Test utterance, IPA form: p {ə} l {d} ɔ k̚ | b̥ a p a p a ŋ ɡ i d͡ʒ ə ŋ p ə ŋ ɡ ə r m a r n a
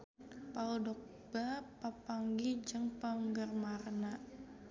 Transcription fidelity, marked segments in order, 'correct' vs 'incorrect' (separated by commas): incorrect, correct